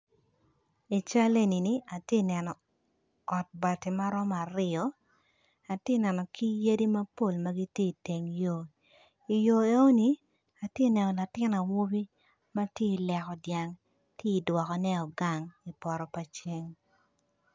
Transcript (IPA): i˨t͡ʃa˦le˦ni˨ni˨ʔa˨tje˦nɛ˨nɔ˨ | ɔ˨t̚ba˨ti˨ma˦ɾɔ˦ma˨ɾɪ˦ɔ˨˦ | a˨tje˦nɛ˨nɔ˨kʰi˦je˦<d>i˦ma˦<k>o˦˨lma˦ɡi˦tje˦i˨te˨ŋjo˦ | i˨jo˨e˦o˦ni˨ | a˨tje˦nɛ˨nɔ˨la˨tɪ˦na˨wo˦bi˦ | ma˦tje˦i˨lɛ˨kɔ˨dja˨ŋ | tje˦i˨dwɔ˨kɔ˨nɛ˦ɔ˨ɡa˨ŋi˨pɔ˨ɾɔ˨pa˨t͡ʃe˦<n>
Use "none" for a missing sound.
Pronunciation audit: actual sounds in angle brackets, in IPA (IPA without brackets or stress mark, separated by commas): d, p, ŋ